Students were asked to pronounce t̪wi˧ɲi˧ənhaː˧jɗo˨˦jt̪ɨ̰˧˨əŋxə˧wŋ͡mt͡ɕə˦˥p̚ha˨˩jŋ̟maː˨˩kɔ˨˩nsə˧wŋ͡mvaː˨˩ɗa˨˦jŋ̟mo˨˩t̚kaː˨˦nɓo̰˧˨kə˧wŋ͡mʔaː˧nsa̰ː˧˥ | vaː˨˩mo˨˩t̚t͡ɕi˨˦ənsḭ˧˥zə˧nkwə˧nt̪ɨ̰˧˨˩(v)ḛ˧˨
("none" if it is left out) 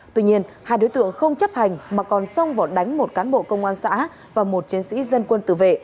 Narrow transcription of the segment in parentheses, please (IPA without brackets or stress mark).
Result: v